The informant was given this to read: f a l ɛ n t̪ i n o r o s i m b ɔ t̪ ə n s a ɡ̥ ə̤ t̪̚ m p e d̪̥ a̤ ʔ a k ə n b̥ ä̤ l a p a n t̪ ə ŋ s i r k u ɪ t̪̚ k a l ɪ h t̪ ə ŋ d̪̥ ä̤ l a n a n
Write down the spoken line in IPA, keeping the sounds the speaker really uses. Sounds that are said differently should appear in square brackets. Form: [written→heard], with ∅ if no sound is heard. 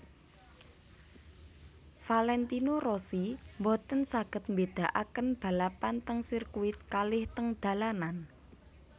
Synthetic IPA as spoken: f a l ɛ n t̪ i n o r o s i m b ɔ t̪ ə n s a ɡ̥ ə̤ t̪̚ m [p→b] e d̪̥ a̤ ʔ a k ə n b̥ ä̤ l a p a n t̪ ə ŋ s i r k u ɪ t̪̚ k a l ɪ h t̪ ə ŋ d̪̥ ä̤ l a n a n